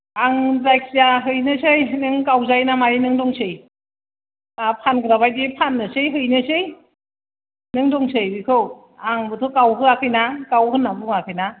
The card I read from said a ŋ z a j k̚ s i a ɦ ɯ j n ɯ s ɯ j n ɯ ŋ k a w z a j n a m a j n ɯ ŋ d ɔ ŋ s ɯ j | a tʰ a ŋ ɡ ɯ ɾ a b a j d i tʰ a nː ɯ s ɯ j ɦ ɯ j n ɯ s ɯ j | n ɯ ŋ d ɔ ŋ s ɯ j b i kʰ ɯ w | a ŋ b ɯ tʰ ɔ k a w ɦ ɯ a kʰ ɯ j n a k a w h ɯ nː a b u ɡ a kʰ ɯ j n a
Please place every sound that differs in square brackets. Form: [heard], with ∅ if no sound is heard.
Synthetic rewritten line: a ŋ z a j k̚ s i a ɦ ɯ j n ɯ s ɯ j n ɯ ŋ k a w z a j n a m a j n ɯ ŋ d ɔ ŋ s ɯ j | a [pʰ] a [n] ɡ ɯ ɾ a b a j d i [pʰ] a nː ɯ s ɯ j ɦ ɯ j n ɯ s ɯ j | n ɯ ŋ d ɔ ŋ s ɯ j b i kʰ ɯ w | a ŋ b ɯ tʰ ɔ k a w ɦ ɯ a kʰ ɯ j n a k a w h ɯ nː a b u [ŋ] a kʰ ɯ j n a